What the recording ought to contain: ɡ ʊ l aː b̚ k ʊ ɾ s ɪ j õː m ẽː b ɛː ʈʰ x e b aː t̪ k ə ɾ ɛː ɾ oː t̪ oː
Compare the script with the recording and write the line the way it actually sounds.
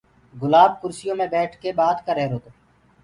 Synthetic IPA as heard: ɡ ʊ l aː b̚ k ʊ ɾ s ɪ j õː m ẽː b ɛː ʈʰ k e b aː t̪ k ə ɾ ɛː ɾ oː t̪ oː